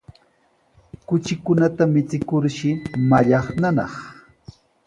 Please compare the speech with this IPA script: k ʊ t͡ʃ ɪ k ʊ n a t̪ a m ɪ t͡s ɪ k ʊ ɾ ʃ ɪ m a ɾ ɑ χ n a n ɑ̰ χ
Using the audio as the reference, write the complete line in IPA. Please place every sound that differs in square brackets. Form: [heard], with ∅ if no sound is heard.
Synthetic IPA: k ʊ t͡ʃ ɪ k ʊ n a t̪ a m ɪ t͡s ɪ k ʊ ɾ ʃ ɪ m a [ʎ] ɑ χ n a n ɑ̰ χ